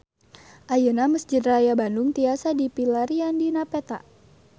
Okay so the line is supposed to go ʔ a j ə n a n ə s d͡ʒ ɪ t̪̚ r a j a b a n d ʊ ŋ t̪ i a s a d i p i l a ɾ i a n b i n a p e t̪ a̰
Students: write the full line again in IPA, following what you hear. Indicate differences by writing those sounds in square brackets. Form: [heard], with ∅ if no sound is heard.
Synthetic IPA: ʔ a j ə n a [m] ə s d͡ʒ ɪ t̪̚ r a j a b a n d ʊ ŋ t̪ i a s a d i p i l a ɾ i a n [d] i n a p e t̪ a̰